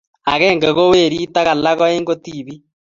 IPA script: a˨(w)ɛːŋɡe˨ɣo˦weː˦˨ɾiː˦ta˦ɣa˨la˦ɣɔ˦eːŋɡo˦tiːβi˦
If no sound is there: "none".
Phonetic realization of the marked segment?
ɣ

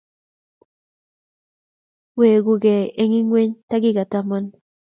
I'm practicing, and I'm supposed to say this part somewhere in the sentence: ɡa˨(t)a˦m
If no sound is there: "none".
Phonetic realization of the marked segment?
t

